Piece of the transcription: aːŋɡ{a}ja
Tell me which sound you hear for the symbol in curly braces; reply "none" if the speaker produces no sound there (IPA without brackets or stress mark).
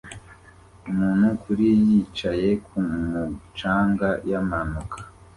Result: a